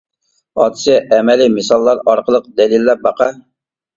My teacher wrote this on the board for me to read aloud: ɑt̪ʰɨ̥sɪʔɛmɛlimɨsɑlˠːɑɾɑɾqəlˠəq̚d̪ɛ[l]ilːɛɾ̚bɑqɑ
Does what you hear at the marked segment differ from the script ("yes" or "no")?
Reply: no